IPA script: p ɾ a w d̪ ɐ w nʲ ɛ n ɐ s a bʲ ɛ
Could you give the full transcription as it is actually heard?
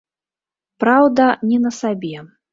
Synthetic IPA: p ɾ a w d̪ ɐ nʲ ɛ n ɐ s a bʲ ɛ